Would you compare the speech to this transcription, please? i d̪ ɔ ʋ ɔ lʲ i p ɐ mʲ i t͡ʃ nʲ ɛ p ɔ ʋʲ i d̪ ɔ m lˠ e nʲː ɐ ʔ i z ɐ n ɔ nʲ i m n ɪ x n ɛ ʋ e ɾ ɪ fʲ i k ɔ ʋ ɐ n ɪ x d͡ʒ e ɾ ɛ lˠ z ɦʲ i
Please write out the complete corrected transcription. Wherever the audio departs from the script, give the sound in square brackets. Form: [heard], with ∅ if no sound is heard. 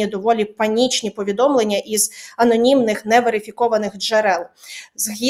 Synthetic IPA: i d̪ ɔ ʋ ɔ lʲ i p ɐ [nʲ] i t͡ʃ nʲ [i] p ɔ ʋʲ i d̪ ɔ m lˠ e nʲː ɐ ʔ i z ɐ n ɔ nʲ i m n ɪ x n ɛ ʋ e ɾ ɪ fʲ i k ɔ ʋ ɐ n ɪ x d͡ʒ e ɾ ɛ lˠ z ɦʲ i